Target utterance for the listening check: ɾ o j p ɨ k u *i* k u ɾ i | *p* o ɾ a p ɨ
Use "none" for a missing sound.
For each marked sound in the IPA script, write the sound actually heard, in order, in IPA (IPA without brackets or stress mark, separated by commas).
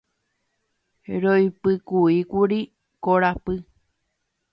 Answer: i, k